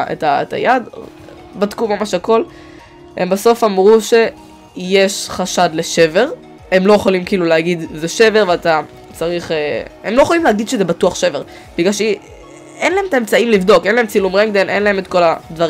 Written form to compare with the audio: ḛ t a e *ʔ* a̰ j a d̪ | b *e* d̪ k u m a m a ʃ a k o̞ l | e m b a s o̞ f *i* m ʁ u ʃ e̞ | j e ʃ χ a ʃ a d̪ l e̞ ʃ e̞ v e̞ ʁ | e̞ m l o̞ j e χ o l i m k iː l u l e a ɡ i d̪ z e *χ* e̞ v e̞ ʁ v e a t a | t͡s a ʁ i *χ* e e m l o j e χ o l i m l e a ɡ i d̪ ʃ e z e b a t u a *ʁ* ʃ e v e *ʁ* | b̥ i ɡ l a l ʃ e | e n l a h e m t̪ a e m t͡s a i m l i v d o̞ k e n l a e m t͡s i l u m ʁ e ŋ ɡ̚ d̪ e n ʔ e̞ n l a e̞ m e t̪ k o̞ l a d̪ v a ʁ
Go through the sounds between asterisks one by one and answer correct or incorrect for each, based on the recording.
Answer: incorrect, incorrect, incorrect, incorrect, correct, incorrect, correct

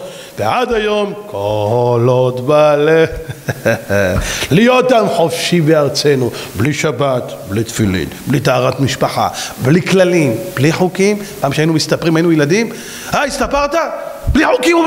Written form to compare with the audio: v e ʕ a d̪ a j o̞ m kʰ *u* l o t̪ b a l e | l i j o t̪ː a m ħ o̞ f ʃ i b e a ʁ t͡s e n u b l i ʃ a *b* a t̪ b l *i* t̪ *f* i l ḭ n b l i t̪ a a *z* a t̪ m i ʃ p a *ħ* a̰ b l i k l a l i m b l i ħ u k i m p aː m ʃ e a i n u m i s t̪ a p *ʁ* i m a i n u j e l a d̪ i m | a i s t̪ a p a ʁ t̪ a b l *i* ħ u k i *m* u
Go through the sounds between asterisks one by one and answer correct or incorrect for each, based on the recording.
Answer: incorrect, correct, correct, correct, incorrect, correct, correct, correct, correct

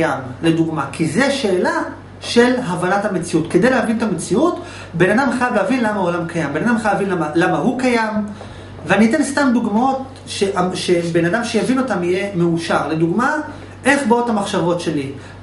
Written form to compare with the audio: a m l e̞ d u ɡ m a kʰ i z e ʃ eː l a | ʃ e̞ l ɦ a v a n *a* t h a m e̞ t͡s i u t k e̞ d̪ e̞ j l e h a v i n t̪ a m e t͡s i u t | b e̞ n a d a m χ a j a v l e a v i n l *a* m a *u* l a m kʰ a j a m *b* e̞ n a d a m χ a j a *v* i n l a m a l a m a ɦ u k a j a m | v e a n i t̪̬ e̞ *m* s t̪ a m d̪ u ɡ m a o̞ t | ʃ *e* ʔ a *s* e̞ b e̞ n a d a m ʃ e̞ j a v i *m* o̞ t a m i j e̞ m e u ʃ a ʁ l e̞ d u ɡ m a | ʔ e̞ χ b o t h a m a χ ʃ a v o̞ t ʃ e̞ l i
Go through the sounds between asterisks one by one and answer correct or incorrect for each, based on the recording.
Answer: correct, correct, incorrect, correct, correct, incorrect, correct, incorrect, incorrect

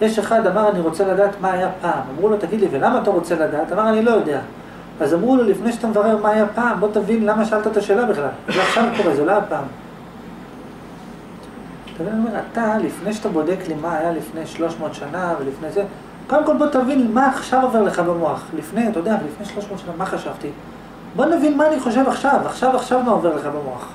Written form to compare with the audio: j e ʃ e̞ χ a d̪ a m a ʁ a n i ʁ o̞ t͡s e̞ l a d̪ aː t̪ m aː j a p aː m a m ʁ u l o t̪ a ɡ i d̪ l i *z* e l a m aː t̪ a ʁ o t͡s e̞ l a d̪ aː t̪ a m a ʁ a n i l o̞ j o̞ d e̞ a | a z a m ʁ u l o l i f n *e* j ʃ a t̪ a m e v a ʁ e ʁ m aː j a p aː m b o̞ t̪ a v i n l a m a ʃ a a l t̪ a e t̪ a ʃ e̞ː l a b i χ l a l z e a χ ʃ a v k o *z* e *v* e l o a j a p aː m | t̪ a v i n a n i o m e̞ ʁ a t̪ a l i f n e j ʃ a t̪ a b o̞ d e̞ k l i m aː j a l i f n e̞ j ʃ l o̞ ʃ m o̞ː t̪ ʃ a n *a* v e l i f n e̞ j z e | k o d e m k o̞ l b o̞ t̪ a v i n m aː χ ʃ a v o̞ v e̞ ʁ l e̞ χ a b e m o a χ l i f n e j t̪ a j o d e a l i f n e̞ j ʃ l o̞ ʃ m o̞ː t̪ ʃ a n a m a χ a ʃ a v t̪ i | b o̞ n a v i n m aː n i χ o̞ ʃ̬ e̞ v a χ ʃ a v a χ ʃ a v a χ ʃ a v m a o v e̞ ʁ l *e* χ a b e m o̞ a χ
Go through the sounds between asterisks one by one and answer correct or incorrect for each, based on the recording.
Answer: incorrect, correct, incorrect, incorrect, correct, correct

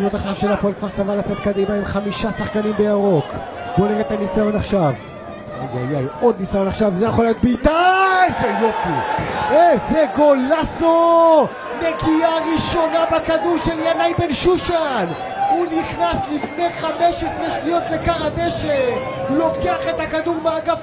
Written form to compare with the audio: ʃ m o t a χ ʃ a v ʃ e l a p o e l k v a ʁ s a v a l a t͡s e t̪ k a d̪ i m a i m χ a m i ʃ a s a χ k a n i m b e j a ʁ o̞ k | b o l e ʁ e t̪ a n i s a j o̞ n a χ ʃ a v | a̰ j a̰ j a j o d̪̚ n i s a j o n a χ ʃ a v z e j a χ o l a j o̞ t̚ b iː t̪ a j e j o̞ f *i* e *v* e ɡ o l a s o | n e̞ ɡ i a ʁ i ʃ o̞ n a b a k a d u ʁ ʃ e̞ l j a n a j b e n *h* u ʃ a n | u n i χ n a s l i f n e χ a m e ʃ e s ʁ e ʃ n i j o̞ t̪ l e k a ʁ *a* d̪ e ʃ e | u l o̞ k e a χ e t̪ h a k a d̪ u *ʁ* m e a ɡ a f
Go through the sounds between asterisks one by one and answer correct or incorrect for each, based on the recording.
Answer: correct, incorrect, incorrect, correct, correct

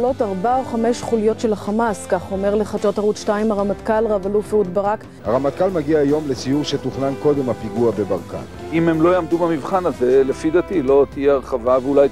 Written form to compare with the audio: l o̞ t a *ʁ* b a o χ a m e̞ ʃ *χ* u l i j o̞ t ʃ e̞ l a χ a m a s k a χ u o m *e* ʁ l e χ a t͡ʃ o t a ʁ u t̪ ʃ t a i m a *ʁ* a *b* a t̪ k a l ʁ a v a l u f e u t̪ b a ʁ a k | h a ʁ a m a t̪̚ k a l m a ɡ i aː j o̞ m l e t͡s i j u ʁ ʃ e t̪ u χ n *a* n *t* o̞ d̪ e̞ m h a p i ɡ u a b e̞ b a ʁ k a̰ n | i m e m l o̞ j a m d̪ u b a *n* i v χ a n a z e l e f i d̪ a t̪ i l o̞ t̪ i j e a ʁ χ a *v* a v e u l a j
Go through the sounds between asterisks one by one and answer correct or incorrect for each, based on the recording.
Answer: correct, correct, correct, correct, incorrect, correct, incorrect, incorrect, correct

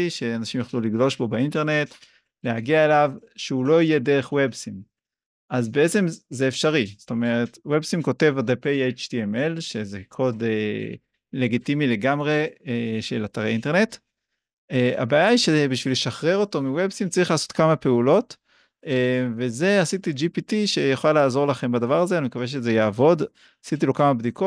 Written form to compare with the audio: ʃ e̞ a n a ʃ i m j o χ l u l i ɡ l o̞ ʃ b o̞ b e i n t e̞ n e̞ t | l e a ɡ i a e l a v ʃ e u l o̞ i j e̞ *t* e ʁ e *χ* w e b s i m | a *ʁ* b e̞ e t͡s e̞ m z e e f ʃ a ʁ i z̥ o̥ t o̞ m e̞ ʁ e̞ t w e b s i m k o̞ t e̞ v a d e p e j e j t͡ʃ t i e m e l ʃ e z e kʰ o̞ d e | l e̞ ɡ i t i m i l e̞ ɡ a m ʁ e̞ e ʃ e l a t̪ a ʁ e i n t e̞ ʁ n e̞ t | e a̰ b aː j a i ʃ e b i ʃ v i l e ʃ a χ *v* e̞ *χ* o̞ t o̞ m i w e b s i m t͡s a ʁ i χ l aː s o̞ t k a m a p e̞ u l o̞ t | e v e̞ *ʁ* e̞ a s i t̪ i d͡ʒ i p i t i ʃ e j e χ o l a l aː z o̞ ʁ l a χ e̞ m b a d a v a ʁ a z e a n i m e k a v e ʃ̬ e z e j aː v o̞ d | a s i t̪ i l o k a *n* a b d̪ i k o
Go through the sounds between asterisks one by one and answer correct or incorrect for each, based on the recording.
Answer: incorrect, correct, incorrect, incorrect, incorrect, incorrect, incorrect

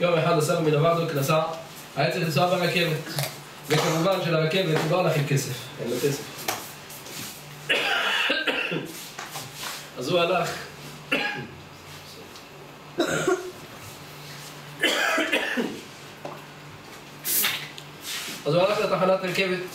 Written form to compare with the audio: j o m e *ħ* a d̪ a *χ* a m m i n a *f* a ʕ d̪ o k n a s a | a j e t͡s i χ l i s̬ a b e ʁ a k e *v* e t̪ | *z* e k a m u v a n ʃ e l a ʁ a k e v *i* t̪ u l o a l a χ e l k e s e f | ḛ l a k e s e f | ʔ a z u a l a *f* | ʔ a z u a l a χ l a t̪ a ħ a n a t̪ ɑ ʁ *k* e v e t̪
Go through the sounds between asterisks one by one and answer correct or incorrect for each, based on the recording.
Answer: correct, incorrect, incorrect, correct, incorrect, incorrect, incorrect, correct

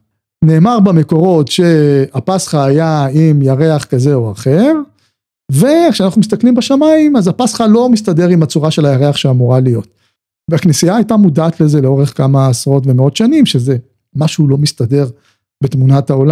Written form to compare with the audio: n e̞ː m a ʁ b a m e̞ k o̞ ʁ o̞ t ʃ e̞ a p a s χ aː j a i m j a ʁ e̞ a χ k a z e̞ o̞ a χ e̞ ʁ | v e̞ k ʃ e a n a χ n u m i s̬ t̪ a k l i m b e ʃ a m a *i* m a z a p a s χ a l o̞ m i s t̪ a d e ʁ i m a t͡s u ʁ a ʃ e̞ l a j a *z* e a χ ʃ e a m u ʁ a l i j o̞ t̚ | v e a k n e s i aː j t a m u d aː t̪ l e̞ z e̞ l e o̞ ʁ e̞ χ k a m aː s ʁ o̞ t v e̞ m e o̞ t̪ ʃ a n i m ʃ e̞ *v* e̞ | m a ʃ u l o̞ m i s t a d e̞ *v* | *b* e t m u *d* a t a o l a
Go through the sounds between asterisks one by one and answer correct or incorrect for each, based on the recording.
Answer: correct, incorrect, incorrect, incorrect, correct, incorrect

